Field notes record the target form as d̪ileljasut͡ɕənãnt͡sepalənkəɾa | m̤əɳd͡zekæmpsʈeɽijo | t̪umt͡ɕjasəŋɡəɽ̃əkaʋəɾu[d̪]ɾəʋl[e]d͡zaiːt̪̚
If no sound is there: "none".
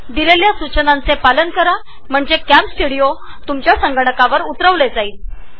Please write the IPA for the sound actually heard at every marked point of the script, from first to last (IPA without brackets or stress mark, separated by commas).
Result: t̪, e